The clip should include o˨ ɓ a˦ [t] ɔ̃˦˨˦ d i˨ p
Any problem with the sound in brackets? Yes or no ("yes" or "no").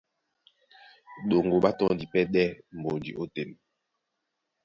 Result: no